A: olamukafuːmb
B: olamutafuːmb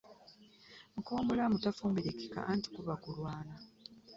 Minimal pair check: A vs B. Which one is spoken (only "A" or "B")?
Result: B